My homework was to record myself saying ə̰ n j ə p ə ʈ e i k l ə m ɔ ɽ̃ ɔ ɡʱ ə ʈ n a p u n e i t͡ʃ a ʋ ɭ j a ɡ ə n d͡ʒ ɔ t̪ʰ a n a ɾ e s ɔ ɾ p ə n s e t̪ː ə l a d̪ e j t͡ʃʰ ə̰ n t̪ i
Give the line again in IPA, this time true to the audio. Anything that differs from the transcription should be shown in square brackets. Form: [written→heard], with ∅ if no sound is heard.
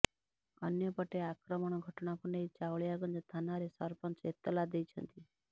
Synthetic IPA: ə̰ n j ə p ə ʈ e [i→a] k [l→ɾ] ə m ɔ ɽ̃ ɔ ɡʱ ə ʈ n a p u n e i t͡ʃ a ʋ ɭ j a ɡ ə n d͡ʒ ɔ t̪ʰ a n a ɾ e s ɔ ɾ p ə n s e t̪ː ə l a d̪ e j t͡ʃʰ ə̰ n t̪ i